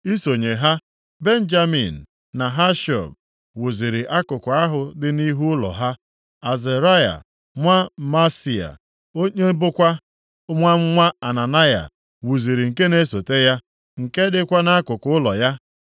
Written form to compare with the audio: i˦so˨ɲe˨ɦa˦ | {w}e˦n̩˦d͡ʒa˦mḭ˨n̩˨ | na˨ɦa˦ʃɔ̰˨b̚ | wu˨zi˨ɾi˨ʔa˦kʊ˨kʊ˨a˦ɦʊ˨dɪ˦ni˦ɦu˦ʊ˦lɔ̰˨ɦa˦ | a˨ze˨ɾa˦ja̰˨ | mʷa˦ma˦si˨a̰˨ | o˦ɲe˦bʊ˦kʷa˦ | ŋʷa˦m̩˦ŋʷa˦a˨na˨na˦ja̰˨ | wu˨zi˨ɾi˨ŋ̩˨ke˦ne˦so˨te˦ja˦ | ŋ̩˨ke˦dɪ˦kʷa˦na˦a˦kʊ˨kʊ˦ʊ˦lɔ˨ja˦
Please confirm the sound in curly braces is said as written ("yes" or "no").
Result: no